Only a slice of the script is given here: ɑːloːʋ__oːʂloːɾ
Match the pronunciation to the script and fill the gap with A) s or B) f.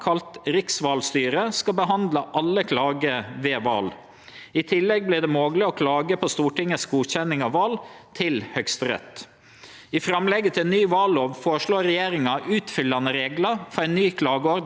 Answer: B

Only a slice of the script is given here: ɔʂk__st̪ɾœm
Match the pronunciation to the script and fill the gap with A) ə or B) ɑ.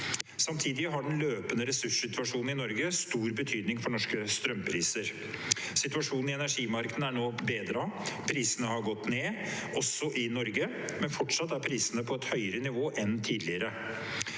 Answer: A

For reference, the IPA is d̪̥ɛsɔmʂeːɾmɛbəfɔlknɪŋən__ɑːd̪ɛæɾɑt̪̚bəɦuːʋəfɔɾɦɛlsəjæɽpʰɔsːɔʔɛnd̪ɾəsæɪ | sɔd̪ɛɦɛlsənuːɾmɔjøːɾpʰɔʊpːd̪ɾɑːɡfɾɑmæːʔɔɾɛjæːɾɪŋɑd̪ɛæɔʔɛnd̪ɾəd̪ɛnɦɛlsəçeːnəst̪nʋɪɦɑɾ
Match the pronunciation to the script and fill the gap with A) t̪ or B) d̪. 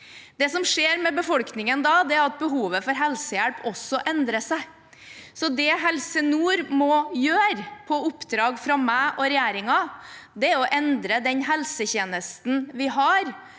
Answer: B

